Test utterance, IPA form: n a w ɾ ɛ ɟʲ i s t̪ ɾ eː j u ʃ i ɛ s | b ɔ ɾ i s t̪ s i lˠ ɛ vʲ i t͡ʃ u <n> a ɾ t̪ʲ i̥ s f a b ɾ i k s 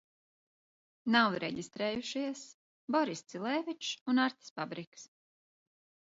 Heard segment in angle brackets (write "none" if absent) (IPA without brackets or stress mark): n